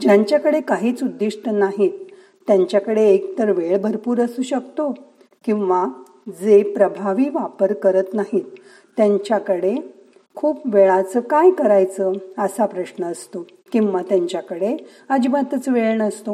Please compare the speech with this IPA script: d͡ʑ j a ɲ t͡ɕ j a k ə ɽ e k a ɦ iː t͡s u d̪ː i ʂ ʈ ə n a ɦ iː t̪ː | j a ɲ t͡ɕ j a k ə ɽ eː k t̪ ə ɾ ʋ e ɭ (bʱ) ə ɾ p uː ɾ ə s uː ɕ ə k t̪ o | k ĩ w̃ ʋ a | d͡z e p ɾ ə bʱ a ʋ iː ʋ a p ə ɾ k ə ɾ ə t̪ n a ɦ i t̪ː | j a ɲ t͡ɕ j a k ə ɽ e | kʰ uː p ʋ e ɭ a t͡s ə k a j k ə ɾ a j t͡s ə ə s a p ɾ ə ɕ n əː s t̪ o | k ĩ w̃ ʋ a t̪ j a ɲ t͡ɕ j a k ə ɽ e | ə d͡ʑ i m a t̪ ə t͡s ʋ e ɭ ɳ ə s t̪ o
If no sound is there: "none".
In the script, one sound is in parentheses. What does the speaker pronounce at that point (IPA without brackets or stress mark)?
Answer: bʱ